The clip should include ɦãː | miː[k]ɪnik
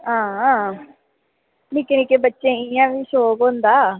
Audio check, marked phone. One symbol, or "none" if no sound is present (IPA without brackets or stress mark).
k